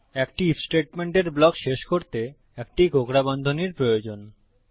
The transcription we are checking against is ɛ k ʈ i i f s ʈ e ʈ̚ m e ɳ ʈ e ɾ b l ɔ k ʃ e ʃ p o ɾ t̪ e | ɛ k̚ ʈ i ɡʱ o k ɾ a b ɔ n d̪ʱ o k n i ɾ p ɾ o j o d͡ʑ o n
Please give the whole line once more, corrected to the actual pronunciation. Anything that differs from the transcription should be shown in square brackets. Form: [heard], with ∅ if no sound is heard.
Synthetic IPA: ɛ k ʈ i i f s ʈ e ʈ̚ m e ɳ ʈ e ɾ b l ɔ k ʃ e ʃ [k] o ɾ t̪ e | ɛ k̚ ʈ i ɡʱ o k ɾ a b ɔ n d̪ʱ o [∅] n i ɾ p ɾ o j o d͡ʑ o n